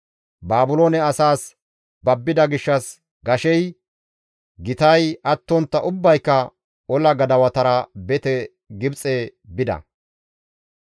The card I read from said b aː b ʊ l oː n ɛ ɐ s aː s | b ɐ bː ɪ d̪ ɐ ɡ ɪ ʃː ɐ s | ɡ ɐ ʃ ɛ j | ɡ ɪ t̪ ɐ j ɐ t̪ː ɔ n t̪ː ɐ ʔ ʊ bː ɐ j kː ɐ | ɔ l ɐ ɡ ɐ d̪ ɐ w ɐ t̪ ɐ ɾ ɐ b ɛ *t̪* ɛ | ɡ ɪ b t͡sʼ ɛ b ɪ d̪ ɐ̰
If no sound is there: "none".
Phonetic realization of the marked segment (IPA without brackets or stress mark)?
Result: t̪